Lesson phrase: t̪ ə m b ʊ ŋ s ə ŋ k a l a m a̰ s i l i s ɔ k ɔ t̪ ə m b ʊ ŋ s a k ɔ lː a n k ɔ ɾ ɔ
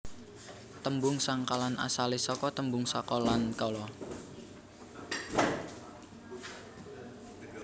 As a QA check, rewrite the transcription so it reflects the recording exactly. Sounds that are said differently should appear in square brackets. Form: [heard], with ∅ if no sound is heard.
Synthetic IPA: t̪ ə m b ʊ ŋ s [a] ŋ k a l a [n] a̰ s [a] l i s ɔ k ɔ t̪ ə m b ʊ ŋ s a k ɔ [l] a n k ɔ [l] ɔ